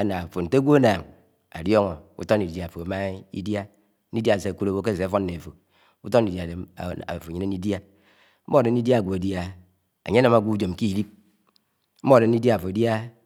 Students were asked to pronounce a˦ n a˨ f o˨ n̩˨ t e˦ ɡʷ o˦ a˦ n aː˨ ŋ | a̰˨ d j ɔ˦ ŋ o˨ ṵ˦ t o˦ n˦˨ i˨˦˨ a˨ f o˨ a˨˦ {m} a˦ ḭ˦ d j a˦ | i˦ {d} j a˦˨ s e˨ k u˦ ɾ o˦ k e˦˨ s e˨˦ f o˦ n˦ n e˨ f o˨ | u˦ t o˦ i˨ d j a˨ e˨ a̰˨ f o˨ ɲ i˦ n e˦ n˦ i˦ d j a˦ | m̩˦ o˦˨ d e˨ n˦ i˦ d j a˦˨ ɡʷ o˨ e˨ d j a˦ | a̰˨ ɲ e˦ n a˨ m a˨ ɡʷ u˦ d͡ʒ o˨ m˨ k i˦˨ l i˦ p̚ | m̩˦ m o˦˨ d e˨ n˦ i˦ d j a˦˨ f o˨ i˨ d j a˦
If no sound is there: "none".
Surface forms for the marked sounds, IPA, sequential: m, d

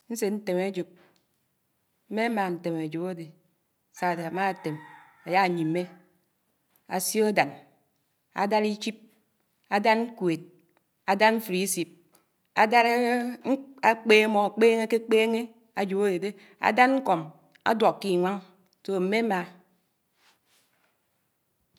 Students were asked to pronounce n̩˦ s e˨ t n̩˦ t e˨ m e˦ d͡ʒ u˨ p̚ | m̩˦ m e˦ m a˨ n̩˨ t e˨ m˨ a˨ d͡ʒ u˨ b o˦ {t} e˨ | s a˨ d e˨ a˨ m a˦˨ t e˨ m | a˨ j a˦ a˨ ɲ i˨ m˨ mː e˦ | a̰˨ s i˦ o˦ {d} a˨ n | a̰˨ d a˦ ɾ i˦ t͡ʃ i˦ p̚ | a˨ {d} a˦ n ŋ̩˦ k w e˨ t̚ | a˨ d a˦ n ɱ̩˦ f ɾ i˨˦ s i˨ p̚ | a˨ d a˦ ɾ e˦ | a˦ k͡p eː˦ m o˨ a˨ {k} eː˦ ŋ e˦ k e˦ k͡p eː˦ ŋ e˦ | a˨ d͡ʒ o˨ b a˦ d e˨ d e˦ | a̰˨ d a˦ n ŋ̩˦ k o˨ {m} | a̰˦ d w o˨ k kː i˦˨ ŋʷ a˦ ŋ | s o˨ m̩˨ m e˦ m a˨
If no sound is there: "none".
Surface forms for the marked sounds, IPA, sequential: d, d, d, k͡p, m

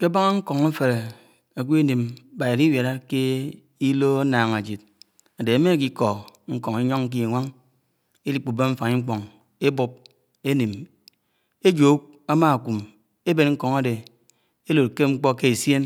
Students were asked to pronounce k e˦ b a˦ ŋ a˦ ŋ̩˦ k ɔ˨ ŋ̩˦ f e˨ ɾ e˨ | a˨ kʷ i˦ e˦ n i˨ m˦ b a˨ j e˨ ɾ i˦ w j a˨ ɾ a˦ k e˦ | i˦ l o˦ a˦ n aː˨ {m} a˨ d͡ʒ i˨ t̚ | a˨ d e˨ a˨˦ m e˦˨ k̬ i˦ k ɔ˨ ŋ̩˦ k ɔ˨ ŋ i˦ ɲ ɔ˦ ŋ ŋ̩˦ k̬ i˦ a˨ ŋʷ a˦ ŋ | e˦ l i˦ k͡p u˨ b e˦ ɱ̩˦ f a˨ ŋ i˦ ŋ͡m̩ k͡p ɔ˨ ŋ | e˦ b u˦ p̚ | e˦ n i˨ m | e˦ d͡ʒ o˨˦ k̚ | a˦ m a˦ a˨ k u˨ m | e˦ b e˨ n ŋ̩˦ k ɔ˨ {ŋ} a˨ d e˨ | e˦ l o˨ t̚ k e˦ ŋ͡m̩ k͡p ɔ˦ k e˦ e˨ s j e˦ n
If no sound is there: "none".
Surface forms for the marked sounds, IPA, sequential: ŋ, ŋ

